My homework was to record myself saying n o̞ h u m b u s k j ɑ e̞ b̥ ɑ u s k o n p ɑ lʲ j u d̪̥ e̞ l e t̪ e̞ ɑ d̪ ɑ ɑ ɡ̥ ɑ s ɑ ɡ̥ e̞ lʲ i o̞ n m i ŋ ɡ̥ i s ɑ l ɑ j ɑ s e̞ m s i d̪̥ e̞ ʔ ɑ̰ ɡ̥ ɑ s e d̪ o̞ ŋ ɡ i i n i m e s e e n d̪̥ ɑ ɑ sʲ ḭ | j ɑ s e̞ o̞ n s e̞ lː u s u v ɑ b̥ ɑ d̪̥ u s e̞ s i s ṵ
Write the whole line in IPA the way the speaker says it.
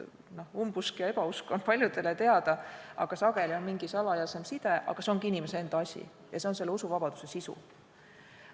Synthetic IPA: n o̞ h u m b u s k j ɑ e̞ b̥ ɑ u s k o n p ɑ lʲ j u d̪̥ e̞ l e t̪ e̞ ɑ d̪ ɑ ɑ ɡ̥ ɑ s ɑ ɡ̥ e̞ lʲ i o̞ n m i ŋ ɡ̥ i s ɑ l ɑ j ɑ s e̞ m s i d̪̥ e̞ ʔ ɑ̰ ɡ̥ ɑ s e o̞ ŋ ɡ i i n i m e s e e n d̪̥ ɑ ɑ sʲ ḭ | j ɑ s e̞ o̞ n s e̞ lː u s u v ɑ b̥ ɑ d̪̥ u s e̞ s i s ṵ